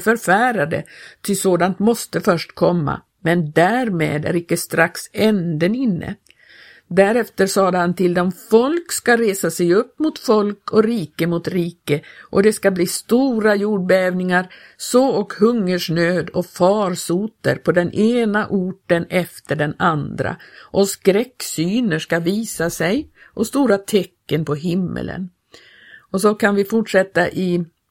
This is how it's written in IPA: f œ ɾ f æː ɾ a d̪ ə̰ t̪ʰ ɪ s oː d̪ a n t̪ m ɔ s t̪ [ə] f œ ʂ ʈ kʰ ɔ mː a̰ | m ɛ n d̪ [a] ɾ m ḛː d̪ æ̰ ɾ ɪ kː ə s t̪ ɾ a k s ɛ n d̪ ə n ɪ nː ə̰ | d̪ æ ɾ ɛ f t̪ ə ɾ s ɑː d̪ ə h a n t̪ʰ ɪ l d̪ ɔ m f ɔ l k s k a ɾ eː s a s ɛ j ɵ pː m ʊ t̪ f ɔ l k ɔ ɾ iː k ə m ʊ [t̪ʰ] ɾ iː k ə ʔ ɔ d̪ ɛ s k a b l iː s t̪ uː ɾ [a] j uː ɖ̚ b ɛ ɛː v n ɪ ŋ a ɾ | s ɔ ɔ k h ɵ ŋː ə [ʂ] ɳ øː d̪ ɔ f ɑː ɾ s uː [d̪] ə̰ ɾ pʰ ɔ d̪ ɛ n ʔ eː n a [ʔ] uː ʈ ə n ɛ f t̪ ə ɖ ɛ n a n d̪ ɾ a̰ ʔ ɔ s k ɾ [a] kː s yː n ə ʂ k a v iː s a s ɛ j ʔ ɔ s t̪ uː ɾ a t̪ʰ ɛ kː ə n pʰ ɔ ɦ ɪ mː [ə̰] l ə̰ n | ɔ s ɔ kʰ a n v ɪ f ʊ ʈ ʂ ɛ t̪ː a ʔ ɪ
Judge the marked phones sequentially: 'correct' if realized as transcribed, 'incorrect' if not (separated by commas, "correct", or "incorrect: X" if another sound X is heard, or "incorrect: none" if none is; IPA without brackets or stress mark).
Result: correct, incorrect: æ, incorrect: t̪, correct, correct, incorrect: t̪, correct, incorrect: ɛ, correct